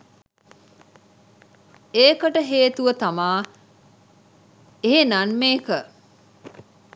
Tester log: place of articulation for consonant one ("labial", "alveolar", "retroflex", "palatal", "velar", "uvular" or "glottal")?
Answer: velar